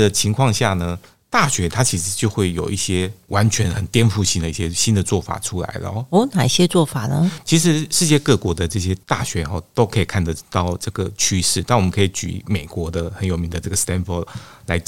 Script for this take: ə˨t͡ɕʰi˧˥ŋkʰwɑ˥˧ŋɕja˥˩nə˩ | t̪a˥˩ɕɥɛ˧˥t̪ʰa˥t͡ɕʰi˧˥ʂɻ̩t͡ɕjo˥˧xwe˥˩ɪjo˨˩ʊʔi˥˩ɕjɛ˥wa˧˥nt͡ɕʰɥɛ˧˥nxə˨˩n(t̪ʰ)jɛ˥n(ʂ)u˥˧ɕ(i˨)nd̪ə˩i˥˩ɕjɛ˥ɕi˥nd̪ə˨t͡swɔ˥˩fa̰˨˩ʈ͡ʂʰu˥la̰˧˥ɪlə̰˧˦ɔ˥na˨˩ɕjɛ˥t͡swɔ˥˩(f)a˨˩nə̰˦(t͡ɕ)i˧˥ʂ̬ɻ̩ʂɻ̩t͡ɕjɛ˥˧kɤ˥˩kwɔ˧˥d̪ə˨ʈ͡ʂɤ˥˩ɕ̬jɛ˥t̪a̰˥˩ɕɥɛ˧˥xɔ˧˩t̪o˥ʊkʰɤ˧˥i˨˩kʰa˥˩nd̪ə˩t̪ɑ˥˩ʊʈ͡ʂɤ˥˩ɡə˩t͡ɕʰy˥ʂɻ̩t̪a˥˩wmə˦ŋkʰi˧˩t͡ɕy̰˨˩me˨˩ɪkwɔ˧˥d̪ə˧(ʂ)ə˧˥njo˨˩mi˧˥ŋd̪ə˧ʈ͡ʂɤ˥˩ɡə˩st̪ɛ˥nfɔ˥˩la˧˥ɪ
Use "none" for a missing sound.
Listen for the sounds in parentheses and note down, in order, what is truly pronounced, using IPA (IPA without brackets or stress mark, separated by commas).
t̪, f, i˥, f, t͡ɕʰ, x